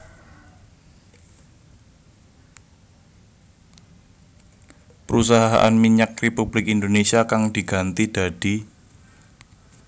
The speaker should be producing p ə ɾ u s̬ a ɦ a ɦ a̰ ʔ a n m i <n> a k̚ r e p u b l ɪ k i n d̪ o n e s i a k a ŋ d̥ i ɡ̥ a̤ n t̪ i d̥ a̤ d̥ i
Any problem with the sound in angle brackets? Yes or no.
yes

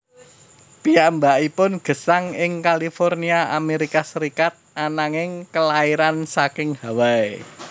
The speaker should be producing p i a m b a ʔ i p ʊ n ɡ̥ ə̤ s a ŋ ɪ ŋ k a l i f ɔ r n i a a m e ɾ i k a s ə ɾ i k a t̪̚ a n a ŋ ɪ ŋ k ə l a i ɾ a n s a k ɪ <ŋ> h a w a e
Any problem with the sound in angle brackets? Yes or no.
no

